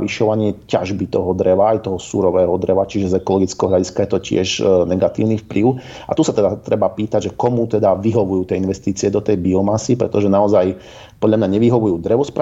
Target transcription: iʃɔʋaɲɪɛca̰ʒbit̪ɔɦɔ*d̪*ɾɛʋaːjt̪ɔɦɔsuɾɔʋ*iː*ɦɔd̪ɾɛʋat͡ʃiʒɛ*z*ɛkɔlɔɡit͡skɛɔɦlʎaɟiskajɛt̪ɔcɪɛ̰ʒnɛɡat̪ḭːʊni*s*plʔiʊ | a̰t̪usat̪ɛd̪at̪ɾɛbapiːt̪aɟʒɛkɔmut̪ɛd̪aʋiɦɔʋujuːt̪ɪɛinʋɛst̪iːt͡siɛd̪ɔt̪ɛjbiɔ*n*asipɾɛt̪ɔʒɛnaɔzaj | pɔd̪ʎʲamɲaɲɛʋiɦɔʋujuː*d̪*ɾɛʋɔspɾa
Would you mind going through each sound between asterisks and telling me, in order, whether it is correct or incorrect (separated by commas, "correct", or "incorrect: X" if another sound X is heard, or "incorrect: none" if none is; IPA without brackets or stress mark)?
correct, incorrect: ɛː, correct, incorrect: f, incorrect: m, correct